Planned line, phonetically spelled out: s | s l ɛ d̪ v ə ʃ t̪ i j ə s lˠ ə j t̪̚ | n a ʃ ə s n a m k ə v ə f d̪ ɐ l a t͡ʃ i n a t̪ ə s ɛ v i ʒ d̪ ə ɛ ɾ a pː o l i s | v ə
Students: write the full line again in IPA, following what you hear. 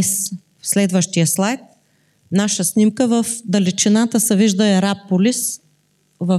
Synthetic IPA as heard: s | s l ɛ d̪ v ə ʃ t̪ i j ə s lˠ a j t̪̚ | n a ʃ ə s n i m k ə v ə f d̪ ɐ l i t͡ʃ i n a t̪ ə s ɛ v i ʒ d̪ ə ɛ ɾ a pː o l i s | v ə